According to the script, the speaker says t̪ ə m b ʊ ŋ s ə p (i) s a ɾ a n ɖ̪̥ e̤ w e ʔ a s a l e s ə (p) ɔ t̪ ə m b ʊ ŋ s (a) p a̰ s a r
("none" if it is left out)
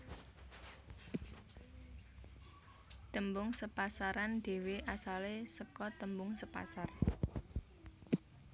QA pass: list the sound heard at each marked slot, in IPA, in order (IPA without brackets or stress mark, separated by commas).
a, k, ə